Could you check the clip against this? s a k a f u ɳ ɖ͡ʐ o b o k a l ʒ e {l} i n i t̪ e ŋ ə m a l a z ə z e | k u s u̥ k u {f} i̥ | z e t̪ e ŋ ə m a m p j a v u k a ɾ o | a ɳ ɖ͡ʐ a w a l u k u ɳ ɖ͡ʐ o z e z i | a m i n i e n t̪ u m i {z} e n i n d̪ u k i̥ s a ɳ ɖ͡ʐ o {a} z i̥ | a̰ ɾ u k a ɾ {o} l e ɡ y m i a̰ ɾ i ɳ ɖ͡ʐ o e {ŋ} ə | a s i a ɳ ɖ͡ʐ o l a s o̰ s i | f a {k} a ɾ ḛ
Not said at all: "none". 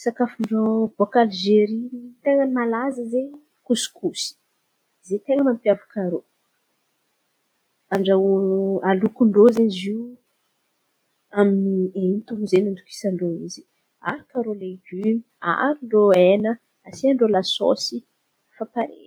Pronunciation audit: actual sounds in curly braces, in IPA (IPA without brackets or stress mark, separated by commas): ɾ, s, z, i, o, n, p